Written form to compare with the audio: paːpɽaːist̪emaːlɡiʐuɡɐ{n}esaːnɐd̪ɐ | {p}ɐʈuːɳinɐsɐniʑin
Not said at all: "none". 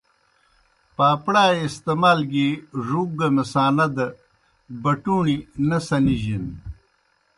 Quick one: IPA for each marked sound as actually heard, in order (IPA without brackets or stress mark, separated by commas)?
m, b